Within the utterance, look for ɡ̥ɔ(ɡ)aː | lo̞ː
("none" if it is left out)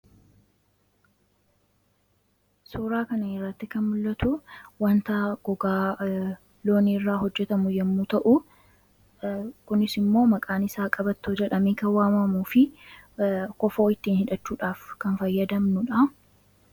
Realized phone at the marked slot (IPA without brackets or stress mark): ɡ